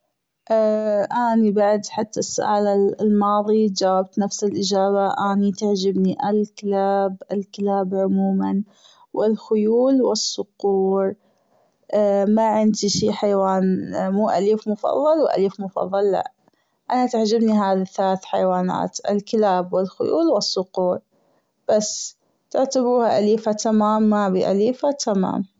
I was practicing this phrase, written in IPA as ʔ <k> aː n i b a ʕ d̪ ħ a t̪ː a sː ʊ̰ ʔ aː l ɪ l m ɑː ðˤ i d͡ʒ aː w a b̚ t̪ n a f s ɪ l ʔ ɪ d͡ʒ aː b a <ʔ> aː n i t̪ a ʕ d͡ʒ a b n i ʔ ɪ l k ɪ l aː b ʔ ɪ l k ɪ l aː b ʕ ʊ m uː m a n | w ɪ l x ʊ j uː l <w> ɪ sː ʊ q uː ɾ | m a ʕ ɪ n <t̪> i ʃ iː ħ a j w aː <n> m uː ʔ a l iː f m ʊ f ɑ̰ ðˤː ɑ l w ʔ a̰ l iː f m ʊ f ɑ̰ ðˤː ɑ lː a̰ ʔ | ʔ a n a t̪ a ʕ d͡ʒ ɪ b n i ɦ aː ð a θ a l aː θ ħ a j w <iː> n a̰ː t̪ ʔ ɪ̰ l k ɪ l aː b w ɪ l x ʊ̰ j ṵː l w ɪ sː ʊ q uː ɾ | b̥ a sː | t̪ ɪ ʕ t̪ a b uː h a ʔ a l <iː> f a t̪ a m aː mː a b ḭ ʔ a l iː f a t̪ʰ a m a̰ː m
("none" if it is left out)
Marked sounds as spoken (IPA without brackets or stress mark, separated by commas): ʔ, ʔ, w, d̪, n, aː, iː